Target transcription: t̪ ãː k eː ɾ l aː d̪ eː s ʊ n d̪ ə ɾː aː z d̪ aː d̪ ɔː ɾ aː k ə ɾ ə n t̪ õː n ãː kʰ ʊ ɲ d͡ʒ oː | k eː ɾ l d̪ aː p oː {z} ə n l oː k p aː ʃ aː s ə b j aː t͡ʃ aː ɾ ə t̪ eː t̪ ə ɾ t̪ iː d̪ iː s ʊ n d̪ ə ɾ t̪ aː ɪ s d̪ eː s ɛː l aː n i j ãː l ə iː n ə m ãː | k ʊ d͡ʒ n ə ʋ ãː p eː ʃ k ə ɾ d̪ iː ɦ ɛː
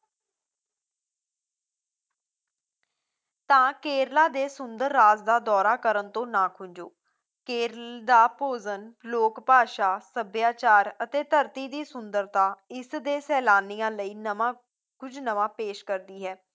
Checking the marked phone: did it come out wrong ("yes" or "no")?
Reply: no